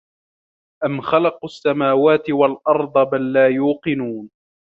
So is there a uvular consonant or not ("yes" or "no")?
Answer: yes